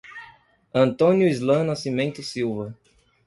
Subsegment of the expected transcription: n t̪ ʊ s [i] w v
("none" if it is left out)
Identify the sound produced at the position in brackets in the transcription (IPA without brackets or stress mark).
i